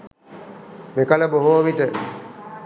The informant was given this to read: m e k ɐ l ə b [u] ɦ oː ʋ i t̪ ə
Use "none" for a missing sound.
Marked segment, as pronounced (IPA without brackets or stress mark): o